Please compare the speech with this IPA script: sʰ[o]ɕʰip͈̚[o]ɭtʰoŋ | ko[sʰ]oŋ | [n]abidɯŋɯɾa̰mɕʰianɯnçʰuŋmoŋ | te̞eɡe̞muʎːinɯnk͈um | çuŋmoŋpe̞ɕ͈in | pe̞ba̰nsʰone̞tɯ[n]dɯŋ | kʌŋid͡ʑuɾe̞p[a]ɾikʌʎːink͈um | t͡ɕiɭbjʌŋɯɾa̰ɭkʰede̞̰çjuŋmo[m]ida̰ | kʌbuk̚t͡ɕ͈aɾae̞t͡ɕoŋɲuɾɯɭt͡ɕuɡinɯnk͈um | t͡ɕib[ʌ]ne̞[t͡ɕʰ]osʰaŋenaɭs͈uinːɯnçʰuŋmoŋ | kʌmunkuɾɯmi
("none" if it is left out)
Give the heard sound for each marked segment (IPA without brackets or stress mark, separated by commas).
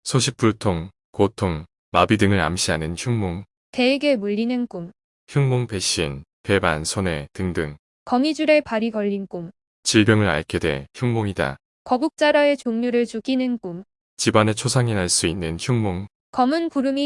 o, u, tʰ, m, ŋ, a, ŋ, a, t͡ɕʰ